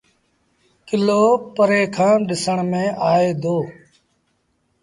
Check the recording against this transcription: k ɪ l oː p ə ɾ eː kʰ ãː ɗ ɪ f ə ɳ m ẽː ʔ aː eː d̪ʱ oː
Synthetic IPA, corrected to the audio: k ɪ l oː p ə ɾ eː kʰ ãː ɗ ɪ s ə ɳ m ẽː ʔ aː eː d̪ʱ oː